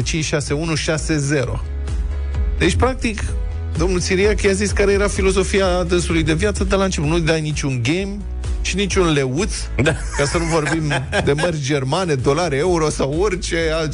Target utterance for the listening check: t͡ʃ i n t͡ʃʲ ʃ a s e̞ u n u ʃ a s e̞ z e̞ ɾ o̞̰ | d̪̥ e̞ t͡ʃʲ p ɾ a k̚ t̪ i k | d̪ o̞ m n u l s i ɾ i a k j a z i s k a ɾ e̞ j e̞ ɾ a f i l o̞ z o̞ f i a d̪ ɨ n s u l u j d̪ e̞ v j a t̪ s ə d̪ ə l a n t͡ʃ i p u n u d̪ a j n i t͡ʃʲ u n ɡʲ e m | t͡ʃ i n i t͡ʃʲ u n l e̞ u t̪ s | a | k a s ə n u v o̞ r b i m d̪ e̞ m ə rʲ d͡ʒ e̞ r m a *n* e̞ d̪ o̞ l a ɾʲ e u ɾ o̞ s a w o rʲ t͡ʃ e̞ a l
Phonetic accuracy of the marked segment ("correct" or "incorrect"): correct